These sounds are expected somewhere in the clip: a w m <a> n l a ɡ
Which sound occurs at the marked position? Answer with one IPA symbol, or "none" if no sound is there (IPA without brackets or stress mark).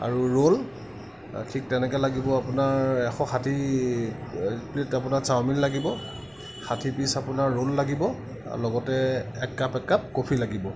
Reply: i